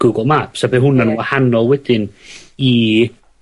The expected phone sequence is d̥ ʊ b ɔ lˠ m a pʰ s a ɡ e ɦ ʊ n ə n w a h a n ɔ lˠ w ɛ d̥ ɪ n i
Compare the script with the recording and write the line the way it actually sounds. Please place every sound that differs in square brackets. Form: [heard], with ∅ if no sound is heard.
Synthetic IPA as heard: [ɡ̥] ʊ [ɡ] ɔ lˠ m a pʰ s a [b] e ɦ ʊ n [a] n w a h a n ɔ lˠ w ɛ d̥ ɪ n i